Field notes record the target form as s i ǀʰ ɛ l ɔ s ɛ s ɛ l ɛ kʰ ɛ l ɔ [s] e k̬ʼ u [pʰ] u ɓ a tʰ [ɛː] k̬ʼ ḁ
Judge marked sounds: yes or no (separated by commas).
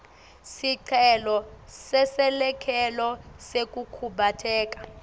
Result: yes, no, yes